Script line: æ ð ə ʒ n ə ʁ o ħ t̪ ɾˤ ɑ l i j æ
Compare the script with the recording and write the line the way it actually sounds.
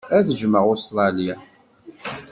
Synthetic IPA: æ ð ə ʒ m ə ʁ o s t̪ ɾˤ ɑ l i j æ